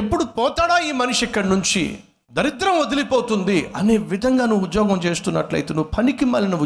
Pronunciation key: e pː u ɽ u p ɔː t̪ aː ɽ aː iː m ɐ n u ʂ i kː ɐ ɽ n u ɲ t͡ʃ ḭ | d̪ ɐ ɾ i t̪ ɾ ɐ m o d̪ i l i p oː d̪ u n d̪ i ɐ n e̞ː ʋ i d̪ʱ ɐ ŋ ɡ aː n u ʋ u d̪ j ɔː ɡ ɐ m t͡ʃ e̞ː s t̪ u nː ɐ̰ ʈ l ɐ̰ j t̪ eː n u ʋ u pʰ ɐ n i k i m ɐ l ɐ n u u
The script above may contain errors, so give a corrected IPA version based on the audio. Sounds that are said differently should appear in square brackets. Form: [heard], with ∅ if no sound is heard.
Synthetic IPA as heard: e pː u ɽ u p ɔː t̪ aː ɽ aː iː m ɐ n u ʂ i kː ɐ ɽ n u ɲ t͡ʃ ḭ | d̪ ɐ ɾ i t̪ ɾ ɐ m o d̪ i l i p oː [t̪] u n d̪ i ɐ n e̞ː ʋ i d̪ʱ ɐ ŋ ɡ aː n u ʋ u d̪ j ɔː ɡ ɐ m t͡ʃ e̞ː s t̪ u nː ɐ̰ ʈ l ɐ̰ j t̪ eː n u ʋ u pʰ ɐ n i k i m ɐ l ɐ n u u